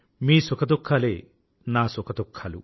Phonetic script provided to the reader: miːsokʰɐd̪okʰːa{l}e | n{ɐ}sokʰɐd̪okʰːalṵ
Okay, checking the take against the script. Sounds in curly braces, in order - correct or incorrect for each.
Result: correct, incorrect: a

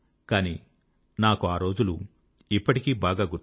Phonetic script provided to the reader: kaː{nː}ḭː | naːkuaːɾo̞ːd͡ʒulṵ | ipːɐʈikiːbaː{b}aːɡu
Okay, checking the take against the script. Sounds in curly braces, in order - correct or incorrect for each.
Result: incorrect: n, incorrect: ɡ

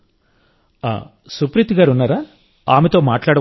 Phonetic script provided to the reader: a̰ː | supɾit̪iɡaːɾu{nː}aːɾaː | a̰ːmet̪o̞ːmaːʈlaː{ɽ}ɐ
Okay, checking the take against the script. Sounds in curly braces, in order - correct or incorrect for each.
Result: correct, correct

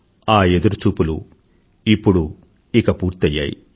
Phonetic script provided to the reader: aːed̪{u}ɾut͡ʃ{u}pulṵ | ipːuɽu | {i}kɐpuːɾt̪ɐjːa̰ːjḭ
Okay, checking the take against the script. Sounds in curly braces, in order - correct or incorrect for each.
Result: correct, incorrect: uː, correct

